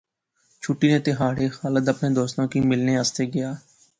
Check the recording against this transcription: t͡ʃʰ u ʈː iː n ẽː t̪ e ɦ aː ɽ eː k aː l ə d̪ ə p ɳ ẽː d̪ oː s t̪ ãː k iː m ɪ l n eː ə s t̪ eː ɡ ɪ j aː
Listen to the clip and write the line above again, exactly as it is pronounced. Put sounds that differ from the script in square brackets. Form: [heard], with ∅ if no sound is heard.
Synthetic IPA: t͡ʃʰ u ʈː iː n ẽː t̪ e ɦ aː ɽ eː [x] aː l ə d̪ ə p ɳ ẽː d̪ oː s t̪ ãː k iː m ɪ l n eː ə s t̪ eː ɡ ɪ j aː